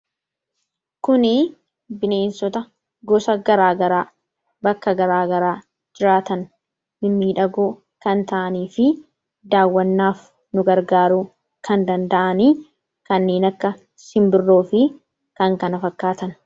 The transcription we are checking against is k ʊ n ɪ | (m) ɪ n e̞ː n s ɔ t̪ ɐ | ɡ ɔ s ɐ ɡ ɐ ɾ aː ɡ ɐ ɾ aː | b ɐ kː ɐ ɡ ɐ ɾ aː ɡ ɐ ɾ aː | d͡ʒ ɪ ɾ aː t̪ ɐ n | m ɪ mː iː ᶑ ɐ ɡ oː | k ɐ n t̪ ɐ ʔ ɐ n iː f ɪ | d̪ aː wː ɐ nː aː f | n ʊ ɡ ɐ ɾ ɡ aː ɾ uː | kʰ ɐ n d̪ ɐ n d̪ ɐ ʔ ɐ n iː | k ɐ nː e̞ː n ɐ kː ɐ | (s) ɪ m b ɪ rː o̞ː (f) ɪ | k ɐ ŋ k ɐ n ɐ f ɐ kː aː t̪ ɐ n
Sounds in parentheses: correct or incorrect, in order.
incorrect, correct, correct

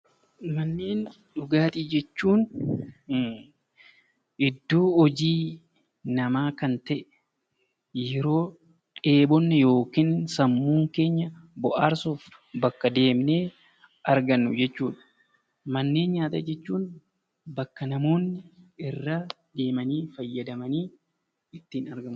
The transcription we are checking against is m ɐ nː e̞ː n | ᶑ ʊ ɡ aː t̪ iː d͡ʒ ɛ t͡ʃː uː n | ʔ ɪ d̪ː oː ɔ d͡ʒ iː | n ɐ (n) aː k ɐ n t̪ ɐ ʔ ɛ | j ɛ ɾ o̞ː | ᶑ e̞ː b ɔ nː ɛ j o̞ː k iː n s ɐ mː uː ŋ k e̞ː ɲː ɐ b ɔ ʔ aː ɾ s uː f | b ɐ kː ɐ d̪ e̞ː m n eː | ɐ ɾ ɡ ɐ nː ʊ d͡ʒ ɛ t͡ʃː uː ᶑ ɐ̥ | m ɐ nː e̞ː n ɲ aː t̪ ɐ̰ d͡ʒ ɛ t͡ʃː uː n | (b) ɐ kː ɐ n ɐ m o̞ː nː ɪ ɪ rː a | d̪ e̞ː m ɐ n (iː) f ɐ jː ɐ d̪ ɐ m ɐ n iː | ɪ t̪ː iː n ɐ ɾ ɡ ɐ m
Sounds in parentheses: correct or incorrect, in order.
incorrect, correct, correct

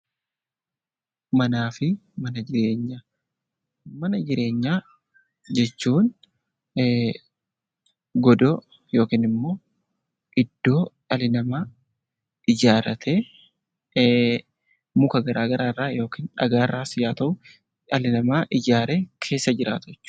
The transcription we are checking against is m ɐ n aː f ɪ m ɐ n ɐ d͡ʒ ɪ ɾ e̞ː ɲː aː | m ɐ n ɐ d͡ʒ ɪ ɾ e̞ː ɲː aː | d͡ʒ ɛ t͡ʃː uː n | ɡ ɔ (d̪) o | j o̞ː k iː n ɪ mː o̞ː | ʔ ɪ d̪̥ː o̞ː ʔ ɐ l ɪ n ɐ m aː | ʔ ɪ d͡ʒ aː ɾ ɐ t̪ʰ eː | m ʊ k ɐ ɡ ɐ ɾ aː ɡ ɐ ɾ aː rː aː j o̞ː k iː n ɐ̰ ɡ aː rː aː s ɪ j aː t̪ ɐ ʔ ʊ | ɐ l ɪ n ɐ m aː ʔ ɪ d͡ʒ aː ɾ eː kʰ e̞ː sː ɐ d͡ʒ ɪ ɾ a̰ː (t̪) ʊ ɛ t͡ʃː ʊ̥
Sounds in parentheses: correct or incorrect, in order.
correct, correct

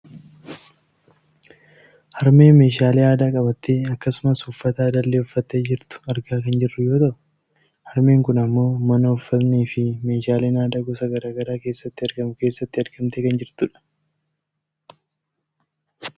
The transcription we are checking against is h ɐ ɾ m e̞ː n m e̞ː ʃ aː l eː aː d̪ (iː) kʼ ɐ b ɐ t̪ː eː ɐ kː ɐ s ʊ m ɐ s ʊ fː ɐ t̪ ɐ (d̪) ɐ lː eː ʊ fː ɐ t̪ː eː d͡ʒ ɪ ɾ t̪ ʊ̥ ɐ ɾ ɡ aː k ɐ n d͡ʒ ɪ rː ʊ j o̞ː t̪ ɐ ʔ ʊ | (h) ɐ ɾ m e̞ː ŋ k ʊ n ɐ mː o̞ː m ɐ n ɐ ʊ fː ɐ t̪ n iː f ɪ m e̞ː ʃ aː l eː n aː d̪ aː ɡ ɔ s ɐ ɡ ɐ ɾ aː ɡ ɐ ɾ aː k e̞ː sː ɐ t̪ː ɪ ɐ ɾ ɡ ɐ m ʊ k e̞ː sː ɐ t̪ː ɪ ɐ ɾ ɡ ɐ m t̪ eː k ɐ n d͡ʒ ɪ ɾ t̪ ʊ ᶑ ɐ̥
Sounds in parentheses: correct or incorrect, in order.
incorrect, correct, correct

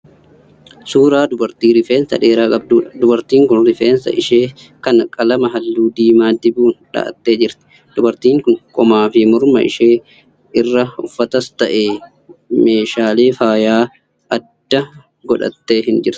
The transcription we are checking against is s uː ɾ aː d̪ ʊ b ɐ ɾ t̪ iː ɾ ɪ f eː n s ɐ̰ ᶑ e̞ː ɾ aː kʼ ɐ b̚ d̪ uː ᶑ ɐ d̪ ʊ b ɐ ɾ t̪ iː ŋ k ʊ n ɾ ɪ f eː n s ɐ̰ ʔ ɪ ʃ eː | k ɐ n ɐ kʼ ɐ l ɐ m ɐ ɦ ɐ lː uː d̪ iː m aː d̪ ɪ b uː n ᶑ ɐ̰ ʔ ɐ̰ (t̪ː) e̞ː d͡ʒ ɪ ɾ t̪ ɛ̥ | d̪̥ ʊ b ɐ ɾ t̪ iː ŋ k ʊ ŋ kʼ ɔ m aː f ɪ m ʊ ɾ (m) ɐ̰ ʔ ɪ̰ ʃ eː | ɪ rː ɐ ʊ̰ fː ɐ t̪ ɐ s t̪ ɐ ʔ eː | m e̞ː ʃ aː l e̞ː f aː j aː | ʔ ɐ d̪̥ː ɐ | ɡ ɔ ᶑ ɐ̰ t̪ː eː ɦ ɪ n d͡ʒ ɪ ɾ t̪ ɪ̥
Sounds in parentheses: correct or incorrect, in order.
correct, correct

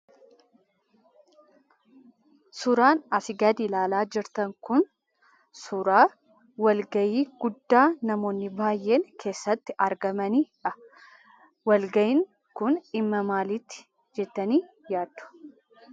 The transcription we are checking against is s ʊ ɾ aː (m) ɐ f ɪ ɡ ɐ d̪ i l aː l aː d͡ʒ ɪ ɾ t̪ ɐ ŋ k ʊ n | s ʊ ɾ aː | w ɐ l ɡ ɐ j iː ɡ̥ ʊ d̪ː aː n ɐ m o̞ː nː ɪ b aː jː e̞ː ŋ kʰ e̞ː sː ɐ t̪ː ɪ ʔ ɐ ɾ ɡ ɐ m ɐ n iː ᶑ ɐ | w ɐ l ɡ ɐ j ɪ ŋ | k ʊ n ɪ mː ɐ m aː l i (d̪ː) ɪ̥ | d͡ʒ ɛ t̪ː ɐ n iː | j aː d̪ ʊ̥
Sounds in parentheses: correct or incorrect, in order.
incorrect, incorrect

